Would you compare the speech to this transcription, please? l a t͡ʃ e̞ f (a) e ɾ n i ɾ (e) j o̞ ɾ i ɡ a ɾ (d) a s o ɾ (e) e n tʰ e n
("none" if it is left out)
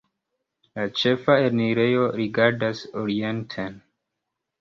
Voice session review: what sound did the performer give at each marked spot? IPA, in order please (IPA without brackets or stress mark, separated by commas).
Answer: a, e, d, i